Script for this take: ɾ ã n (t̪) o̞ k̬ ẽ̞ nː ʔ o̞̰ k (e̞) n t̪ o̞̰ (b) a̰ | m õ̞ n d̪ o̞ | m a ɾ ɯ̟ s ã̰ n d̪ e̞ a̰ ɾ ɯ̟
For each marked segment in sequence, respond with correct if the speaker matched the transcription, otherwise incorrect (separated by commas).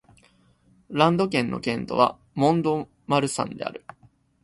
incorrect, incorrect, incorrect